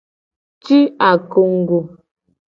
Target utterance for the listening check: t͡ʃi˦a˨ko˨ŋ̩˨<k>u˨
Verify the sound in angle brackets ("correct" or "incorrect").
incorrect